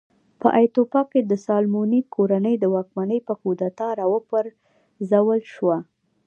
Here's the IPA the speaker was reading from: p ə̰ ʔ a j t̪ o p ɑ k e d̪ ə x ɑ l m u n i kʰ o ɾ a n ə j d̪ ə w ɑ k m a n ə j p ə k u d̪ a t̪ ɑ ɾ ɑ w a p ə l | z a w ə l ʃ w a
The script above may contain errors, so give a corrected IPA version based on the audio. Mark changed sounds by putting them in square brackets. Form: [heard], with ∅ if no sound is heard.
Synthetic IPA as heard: p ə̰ ʔ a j t̪ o p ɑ k e d̪ ə [s] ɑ l m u n i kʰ o ɾ a n ə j d̪ ə w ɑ k m a n ə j p ə k u d̪ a t̪ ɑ ɾ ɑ w [ə] p ə [ɾ] | z a w ə l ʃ w a